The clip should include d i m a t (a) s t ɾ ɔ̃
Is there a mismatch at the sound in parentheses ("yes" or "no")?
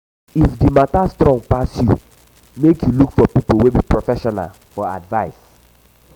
no